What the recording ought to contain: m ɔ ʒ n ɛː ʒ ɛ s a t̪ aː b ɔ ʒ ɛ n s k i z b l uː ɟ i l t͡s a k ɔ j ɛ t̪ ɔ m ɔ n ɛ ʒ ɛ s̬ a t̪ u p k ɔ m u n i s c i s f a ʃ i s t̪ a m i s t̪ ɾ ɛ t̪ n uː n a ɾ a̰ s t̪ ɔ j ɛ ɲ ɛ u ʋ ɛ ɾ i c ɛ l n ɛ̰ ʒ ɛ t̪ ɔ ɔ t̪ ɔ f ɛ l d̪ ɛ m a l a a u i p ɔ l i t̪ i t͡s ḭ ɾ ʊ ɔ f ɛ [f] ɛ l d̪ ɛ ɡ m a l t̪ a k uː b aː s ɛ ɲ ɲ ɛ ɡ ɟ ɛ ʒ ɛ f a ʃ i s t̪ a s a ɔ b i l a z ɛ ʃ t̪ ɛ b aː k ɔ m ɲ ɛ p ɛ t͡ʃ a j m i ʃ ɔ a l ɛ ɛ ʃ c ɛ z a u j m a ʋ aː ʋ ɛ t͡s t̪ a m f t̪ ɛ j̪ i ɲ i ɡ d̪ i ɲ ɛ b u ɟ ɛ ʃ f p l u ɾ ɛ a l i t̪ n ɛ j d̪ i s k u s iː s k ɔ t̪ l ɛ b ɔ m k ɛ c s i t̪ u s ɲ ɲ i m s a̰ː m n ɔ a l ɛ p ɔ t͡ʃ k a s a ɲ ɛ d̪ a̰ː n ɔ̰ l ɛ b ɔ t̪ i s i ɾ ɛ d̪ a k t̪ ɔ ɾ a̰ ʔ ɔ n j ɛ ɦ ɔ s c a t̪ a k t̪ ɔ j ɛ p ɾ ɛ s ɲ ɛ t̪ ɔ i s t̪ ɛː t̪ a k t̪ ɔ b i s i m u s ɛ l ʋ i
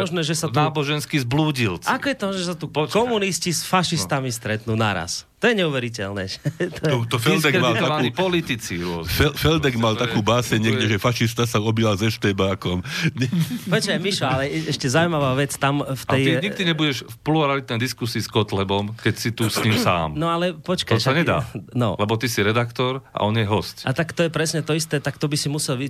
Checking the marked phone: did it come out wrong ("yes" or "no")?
no